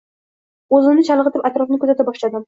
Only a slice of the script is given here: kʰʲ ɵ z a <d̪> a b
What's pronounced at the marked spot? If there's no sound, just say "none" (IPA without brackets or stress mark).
t̪